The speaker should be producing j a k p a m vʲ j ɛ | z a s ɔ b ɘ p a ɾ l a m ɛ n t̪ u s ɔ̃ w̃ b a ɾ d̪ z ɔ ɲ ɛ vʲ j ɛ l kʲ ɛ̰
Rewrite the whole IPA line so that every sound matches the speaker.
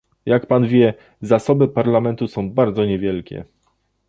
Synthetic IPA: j a k p a n vʲ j ɛ | z a s ɔ b ɘ p a ɾ l a m ɛ n t̪ u s ɔ̃ w̃ b a ɾ d̪ z ɔ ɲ ɛ vʲ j ɛ l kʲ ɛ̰

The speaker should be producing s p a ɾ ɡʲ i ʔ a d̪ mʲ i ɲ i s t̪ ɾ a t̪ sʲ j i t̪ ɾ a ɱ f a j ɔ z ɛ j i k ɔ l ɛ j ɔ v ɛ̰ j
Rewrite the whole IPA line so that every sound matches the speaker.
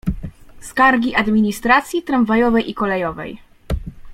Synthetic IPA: s k a ɾ ɡʲ i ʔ a d̪ mʲ i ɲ i s t̪ ɾ a t̪ sʲ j i t̪ ɾ a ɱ v a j ɔ v ɛ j i k ɔ l ɛ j ɔ v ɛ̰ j

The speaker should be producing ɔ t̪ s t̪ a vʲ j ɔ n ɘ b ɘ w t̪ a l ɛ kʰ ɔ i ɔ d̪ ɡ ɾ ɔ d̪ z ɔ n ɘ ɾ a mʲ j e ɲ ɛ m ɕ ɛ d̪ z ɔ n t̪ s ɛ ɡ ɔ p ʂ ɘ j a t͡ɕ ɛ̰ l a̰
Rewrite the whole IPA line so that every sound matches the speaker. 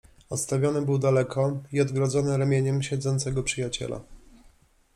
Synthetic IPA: ɔ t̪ s t̪ a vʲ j ɔ n ɘ b ɘ w d̪ a l ɛ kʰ ɔ i ɔ d̪ ɡ ɾ ɔ d̪ z ɔ n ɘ ɾ a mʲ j e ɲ ɛ m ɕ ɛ d̪ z ɔ n t̪ s ɛ ɡ ɔ p ʂ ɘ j a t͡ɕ ɛ̰ l a̰

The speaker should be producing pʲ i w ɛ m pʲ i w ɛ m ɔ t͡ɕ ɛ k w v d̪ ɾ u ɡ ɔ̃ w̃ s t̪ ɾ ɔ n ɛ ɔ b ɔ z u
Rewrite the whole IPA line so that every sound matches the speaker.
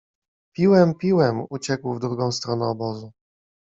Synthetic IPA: pʲ i w ɛ m pʲ i w ɛ m u t͡ɕ ɛ k w v d̪ ɾ u ɡ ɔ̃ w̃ s t̪ ɾ ɔ n ɛ ɔ b ɔ z u

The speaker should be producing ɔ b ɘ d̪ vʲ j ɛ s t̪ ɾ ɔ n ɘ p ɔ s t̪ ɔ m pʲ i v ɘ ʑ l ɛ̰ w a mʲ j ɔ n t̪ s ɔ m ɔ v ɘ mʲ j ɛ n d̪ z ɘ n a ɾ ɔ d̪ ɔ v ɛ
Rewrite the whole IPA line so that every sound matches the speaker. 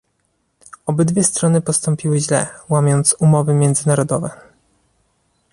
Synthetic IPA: ɔ b ɘ d̪ vʲ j ɛ s t̪ ɾ ɔ n ɘ p ɔ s t̪ ɔ m pʲ i w ɘ ʑ l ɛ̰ w a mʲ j ɔ n t̪ s u m ɔ v ɘ mʲ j ɛ n d̪ z ɘ n a ɾ ɔ d̪ ɔ v ɛ

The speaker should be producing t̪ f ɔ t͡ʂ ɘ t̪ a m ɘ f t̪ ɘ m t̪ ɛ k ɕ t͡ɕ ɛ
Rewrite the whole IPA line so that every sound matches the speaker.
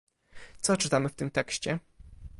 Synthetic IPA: t̪ s ɔ t͡ʂ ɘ t̪ a m ɘ f t̪ ɘ m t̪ ɛ k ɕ t͡ɕ ɛ

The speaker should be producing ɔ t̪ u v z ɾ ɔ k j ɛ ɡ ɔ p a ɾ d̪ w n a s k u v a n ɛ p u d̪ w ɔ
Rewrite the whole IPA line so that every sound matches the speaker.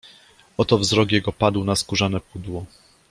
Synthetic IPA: ɔ t̪ ɔ v z ɾ ɔ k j ɛ ɡ ɔ p a d̪ w n a s k u ʐ a n ɛ p u d̪ w ɔ

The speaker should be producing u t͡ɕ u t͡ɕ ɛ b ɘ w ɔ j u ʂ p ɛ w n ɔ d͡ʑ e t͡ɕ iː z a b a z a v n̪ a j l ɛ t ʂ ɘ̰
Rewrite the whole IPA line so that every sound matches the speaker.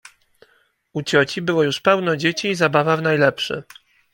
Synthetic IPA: u t͡ɕ ɔ t͡ɕ i b ɘ w ɔ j u ʂ p ɛ w n ɔ d͡ʑ e t͡ɕ iː z a b a v a v n̪ a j l ɛ p ʂ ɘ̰

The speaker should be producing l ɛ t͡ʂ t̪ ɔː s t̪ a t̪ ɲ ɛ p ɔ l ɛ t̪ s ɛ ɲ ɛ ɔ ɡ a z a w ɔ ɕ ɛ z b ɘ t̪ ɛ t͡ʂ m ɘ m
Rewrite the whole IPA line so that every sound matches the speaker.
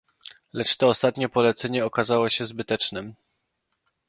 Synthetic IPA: l ɛ t͡ʂ t̪ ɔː s t̪ a t̪ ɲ ɛ p ɔ l ɛ t̪ s ɛ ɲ ɛ ɔ k a z a w ɔ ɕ ɛ z b ɘ t̪ ɛ t͡ʂ n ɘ m

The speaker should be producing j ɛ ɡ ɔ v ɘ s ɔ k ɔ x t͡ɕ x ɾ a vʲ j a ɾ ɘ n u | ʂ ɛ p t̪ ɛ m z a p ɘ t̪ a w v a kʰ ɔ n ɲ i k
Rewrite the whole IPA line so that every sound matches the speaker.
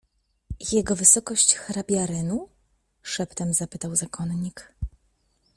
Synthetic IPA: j ɛ ɡ ɔ v ɘ s ɔ k ɔ ɕ t͡ɕ x ɾ a bʲ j a ɾ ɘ n u | ʂ ɛ p t̪ ɛ m z a p ɘ t̪ a w z a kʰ ɔ n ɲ i k

